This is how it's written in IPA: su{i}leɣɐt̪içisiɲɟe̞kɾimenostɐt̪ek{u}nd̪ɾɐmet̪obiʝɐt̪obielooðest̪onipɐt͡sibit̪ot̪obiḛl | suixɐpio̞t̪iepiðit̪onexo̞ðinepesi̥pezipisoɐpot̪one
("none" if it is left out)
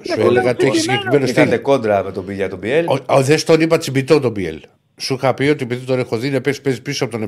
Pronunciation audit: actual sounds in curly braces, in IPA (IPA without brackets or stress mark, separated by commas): e, o